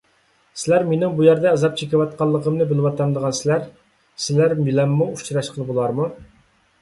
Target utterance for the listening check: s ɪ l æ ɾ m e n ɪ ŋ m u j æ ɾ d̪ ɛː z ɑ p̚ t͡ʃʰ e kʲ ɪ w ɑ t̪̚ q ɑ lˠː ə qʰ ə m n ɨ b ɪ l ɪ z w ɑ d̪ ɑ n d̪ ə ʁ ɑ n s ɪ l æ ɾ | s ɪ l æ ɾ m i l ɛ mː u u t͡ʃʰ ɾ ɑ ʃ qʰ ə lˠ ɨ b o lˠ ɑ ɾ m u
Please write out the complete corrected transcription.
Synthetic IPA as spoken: s ɪ l æ ɾ m e n ɪ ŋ b u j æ ɾ d̪ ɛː z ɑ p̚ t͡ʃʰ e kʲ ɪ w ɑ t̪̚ q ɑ lˠː ə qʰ ə m n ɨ b ɪ l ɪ w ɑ t̪ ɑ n d̪ ə ʁ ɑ n s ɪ l æ ɾ | s ɪ l æ ɾ m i l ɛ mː u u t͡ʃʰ ɾ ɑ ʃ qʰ ə lˠ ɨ b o lˠ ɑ ɾ m u

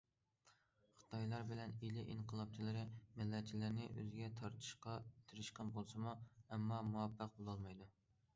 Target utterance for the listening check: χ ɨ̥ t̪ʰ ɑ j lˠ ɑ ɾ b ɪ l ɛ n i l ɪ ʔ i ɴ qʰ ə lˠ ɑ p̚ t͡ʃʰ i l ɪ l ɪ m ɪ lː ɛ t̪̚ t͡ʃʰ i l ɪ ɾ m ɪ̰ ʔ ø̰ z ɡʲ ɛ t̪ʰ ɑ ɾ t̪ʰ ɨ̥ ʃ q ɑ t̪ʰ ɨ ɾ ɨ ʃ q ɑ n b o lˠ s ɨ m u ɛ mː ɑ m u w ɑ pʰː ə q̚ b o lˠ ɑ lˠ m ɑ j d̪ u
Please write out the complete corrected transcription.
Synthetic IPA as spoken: χ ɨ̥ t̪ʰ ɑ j lˠ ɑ ɾ b ɪ l ɛ n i l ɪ ʔ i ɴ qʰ ə lˠ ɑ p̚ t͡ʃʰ i l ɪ ɾ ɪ m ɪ lː ɛ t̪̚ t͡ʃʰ i l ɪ ɾ n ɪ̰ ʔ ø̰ z ɡʲ ɛ t̪ʰ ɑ ɾ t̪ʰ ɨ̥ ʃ q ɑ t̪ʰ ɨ ɾ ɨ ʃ q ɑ n b o lˠ s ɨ m u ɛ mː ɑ m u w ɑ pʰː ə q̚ b o lˠ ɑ lˠ m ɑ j d̪ u

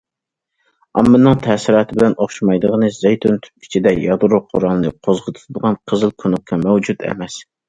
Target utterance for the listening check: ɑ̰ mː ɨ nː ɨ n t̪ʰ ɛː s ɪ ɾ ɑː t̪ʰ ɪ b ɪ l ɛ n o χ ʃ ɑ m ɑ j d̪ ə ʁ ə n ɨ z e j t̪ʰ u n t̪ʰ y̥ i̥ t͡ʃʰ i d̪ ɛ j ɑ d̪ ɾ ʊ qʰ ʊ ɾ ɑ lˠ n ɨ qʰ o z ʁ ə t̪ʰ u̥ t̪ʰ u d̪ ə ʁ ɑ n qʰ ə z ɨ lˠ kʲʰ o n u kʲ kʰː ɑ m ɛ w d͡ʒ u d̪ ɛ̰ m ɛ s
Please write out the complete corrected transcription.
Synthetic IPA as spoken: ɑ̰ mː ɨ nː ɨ ŋ t̪ʰ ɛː s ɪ ɾ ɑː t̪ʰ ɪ b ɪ l ɛ n o χ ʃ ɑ m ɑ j d̪ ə ʁ ə n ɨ z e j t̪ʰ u n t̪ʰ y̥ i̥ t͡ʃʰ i d̪ ɛ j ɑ d̪ ɾ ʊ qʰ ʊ ɾ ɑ lˠ n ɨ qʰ o z ʁ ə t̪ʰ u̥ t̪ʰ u d̪ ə ʁ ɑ n qʰ ə z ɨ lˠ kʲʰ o n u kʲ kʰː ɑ m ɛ w d͡ʒ u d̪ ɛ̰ m ɛ s

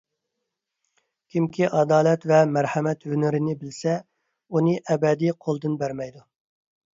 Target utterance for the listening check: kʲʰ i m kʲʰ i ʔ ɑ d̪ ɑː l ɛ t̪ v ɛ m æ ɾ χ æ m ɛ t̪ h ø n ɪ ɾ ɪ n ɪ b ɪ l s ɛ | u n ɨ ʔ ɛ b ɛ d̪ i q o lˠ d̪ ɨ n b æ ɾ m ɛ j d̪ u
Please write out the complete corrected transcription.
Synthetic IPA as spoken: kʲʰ i m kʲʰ i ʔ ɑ d̪ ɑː l ɛ t̪ v ɛ m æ ɾ h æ m ɛ t̪ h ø n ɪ ɾ ɪ n ɪ b ɪ l s ɛ | u n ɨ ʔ ɛ b ɛ d̪ i qʰ o lˠ d̪ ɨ n b æ ɾ m ɛ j d̪ u

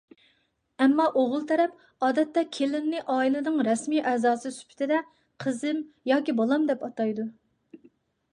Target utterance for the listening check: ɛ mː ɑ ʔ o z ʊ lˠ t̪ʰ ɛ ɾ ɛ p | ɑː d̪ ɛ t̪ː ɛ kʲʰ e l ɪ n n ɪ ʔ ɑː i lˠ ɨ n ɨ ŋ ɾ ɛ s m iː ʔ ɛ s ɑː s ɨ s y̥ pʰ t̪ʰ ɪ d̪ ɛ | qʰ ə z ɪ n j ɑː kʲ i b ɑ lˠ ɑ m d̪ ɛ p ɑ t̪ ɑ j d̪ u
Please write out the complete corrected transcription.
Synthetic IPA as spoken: ɛ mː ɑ ʔ o ʁ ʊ lˠ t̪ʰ ɛ ɾ ɛ p | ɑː d̪ ɛ t̪ː ɛ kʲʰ e l ɪ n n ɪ ʔ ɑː i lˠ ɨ n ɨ ŋ ɾ ɛ s m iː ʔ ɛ z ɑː s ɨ s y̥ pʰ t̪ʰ ɪ d̪ ɛ | qʰ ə z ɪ m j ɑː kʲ i b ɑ lˠ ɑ m d̪ ɛ p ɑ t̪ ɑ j d̪ u

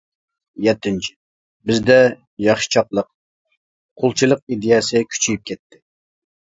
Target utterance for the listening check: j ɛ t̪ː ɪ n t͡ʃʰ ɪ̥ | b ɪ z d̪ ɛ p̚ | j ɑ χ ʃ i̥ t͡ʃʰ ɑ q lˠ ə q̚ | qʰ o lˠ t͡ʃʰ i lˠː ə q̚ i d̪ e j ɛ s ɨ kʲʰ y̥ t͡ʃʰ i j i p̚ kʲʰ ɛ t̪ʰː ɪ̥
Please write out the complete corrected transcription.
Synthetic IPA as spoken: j ɛ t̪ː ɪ n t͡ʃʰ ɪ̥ | b ɪ z d̪ ɛ | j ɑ χ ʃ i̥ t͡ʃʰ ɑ q lˠ ə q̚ | qʰ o lˠ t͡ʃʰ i lˠ ə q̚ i d̪ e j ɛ s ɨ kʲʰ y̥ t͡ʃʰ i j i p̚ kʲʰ ɛ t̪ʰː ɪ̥

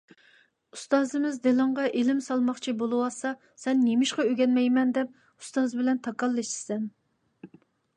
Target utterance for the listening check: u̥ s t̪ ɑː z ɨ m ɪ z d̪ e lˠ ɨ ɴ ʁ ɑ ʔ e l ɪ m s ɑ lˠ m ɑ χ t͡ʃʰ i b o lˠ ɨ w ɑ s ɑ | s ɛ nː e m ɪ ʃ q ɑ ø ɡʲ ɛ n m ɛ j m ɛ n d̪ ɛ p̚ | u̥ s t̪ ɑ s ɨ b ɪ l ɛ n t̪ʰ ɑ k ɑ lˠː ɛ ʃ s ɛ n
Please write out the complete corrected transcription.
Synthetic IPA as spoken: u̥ s t̪ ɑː z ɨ m ɪ z d̪ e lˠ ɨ ɴ ʁ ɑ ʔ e l ɪ m s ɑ lˠ m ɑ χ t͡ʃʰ i b o lˠ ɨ w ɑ s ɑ | s ɛ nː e m ɪ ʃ q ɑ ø ɡʲ ɛ n m ɛ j m ɛ n d̪ ɛ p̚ | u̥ s t̪ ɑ z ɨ b ɪ l ɛ n t̪ʰ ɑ k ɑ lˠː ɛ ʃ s ɛ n

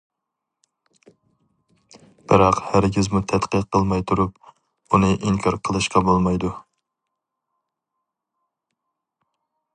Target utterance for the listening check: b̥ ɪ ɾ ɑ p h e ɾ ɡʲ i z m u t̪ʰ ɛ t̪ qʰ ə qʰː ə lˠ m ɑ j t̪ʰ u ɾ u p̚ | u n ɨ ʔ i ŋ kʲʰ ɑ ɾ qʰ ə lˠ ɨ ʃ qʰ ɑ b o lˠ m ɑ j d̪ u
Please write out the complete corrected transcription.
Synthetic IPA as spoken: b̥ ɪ ɾ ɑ q h æ ɾ ɡʲ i z m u t̪ʰ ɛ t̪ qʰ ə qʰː ə lˠ m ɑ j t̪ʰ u ɾ u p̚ | u n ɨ ʔ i ŋ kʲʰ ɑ ɾ qʰ ə lˠ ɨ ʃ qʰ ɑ b o lˠ m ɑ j d̪ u

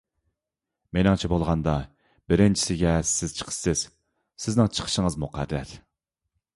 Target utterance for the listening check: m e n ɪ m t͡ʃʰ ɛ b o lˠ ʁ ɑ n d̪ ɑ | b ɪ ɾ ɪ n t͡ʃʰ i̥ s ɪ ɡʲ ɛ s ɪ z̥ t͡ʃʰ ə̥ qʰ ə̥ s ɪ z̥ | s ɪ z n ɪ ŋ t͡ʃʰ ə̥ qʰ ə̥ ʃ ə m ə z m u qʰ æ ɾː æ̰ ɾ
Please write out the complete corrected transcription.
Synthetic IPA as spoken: m e n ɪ ŋ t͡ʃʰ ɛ b o lˠ ʁ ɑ n d̪ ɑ | b ɪ ɾ ɪ n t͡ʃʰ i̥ s ɪ ɡʲ ɛ s ɪ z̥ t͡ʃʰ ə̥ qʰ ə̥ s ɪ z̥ | s ɪ z n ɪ ŋ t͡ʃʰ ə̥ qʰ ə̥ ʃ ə ŋ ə z m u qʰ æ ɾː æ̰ ɾ

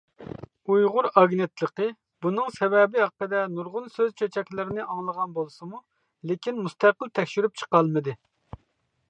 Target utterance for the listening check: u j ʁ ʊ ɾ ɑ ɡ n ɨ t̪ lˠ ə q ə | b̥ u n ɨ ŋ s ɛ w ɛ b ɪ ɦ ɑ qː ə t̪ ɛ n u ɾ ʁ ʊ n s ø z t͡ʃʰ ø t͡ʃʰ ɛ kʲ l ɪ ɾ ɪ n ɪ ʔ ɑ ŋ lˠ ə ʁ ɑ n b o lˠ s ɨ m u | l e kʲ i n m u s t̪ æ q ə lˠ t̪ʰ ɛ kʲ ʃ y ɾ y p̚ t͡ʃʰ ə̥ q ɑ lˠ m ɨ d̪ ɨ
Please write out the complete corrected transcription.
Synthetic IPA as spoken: u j ʁ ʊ ɾ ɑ ɡ n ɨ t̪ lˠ ə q ə | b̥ u n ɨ ŋ s ɛ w ɛ b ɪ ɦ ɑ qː ə d̪ ɛ n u ɾ ʁ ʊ n s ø z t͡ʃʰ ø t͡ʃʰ ɛ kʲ l ɪ ɾ ɪ n ɪ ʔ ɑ ŋ lˠ ə ʁ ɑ n b o lˠ s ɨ m u | l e kʲ i n m u s t̪ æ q ə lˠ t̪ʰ ɛ kʲ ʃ y ɾ y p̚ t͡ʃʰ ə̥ q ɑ lˠ m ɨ d̪ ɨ

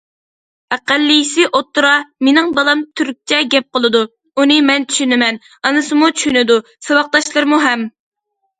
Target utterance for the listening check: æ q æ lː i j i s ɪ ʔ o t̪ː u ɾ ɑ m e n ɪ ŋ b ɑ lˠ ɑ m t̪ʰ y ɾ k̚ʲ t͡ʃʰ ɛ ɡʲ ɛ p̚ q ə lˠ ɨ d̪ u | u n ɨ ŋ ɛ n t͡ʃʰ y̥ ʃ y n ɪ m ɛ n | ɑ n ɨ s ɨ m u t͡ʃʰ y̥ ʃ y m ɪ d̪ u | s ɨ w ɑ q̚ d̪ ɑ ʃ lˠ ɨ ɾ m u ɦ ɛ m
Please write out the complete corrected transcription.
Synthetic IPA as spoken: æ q æ lː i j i s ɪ ʔ o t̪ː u ɾ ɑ m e n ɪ ŋ b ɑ lˠ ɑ m t̪ʰ y ɾ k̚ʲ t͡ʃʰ ɛ ɡʲ ɛ p̚ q ə lˠ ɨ d̪ u | u n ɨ m ɛ n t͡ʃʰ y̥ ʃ y n ɪ m ɛ n | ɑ n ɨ s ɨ m u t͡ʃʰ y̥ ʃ y n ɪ d̪ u | s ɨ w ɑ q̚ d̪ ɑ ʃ lˠ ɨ ɾ m u ɦ ɛ m

